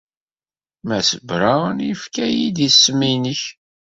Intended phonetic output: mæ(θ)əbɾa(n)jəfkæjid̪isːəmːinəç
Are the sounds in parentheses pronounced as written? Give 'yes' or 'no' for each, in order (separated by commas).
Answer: no, yes